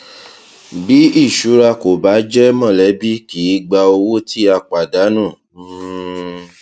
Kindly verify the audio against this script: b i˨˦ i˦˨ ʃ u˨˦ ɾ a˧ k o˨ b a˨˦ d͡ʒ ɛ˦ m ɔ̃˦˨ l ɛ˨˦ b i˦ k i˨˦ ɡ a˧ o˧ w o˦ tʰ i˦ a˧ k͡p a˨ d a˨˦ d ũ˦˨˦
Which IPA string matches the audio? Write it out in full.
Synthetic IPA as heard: b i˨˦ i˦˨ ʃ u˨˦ ɾ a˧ k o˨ b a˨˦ d͡ʒ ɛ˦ m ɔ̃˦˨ l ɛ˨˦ b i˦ k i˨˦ ɡ͡b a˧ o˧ w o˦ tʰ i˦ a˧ k͡p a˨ d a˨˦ n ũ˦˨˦